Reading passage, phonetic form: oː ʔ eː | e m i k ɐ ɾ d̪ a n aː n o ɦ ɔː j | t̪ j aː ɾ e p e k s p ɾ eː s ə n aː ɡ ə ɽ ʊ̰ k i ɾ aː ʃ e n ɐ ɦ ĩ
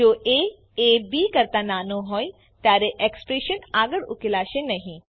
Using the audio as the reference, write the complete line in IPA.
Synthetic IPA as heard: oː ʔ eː | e b i k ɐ ɾ t̪ a n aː n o ɦ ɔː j | t̪ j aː ɾ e ʔ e k s p ɾ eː ʃ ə n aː ɡ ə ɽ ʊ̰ k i l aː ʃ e n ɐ ɦ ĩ